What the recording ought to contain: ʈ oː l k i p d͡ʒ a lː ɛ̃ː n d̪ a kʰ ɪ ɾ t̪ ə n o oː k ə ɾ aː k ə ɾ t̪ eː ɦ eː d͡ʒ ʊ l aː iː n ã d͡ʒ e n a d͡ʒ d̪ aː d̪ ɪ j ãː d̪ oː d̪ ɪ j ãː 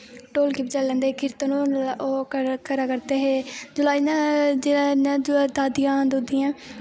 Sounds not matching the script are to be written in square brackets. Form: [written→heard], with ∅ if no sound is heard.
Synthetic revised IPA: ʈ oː l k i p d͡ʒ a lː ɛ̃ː n d̪ [a→e] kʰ ɪ ɾ t̪ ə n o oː k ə ɾ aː k ə ɾ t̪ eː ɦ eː d͡ʒ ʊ l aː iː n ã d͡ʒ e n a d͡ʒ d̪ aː d̪ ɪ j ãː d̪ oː d̪ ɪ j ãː